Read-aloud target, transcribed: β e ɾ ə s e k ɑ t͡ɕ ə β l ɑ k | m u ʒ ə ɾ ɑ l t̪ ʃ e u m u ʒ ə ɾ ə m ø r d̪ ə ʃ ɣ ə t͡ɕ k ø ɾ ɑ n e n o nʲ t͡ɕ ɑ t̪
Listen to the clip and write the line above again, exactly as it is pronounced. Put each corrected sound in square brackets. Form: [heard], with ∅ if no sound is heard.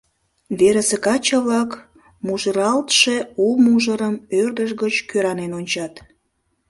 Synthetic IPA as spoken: β e ɾ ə s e k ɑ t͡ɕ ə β l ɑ k | m u ʒ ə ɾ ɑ l t̪ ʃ e u m u ʒ ə ɾ ə m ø r d̪ ə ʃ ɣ ə t͡ɕ k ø ɾ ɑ n e n o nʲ t͡ɕ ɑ t̪